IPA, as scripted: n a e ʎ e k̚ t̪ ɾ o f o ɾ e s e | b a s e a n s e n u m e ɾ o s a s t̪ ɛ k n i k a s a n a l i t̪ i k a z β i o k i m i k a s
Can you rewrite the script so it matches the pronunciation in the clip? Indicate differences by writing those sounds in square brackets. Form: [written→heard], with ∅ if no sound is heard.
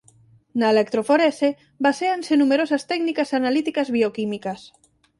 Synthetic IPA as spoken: n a e [ʎ→l] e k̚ t̪ ɾ o f o ɾ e s e | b a s e a n s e n u m e ɾ o s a s t̪ ɛ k n i k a s a n a l i t̪ i k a z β i o k i m i k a s